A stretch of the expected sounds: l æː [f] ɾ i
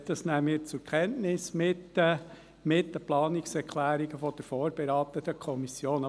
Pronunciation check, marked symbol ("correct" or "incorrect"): incorrect